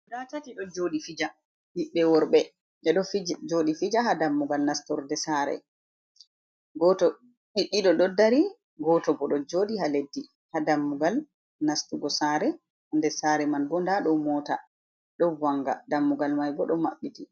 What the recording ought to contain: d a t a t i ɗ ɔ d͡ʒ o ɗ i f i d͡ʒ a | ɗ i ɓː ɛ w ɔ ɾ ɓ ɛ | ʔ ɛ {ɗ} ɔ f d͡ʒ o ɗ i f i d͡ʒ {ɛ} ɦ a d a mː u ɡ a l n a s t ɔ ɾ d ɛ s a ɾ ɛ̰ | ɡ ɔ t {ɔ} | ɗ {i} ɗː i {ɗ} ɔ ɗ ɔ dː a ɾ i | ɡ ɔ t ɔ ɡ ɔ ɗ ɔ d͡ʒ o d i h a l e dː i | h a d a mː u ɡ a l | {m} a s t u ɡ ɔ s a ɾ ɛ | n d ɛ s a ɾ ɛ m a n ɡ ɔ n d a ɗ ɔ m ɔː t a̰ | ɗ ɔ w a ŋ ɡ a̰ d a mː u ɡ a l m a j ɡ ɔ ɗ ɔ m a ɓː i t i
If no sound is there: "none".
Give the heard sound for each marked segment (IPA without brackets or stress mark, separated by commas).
ɗ, a, ɔ, i, ɗ, n